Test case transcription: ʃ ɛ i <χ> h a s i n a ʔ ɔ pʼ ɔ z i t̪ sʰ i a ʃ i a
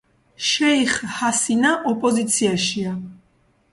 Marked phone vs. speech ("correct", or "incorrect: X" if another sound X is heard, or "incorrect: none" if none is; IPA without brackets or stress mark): correct